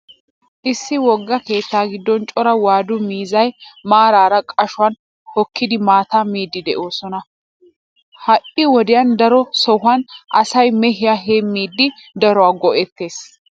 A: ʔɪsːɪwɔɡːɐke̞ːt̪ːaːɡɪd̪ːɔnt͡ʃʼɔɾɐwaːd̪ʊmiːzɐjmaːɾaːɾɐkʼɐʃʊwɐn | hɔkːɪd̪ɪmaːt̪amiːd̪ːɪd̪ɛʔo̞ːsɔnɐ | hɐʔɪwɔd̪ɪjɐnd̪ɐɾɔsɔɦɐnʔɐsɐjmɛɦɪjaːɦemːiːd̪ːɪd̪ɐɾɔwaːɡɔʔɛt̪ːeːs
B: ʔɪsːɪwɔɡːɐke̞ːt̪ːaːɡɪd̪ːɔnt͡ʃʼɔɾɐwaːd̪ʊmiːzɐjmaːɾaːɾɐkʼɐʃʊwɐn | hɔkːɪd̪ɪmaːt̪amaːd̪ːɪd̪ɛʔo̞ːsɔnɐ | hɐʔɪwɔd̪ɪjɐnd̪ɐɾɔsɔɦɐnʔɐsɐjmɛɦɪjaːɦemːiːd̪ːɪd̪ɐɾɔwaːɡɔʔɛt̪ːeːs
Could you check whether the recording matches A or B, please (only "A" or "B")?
A